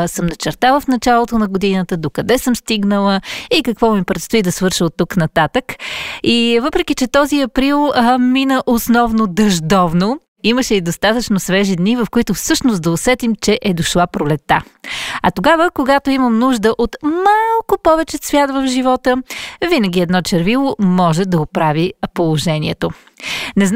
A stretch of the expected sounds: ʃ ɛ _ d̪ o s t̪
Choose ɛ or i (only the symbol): i